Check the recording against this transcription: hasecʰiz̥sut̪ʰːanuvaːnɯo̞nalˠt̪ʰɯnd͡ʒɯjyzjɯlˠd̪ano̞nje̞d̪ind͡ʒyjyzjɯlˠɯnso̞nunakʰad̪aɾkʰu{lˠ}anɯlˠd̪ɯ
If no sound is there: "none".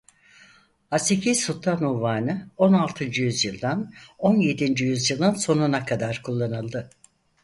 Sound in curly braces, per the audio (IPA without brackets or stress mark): lˠː